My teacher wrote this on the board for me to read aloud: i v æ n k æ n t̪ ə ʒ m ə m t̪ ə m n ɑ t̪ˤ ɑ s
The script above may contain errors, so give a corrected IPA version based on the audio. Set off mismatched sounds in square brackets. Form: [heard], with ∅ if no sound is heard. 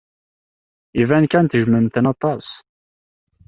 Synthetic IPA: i v æ n k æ n t̪ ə ʒ m ə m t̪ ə [∅] n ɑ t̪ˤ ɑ s